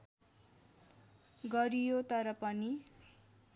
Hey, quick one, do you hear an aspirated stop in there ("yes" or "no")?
no